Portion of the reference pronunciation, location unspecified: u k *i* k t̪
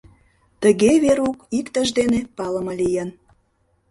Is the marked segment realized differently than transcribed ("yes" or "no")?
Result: no